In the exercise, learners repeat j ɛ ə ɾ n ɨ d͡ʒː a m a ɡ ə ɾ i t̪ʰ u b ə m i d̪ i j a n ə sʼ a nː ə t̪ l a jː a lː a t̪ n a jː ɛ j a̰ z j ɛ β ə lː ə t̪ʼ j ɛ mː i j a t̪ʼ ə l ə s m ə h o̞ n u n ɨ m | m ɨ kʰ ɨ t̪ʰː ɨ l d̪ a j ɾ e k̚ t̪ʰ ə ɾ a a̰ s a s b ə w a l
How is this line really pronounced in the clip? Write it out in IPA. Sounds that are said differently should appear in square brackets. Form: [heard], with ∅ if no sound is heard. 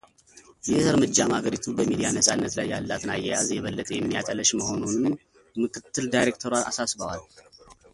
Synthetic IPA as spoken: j ɛ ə ɾ [m] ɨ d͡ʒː a m a ɡ ə ɾ i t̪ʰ u b ə m i d̪ i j a n ə sʼ a nː ə t̪ l a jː a lː a t̪ n a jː ɛ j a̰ z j ɛ β ə lː ə t̪ʼ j ɛ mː i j a t̪ʼ ə l ə [ʃ] m ə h o̞ n u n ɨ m | m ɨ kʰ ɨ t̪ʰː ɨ l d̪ a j ɾ e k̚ t̪ʰ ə ɾ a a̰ s a s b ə w a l